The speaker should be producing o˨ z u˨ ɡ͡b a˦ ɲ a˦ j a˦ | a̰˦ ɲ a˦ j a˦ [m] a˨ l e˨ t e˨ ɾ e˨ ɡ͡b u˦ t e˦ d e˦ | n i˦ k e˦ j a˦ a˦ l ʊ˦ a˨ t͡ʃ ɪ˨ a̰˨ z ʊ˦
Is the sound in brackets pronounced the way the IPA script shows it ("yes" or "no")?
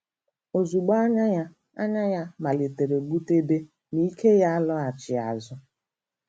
yes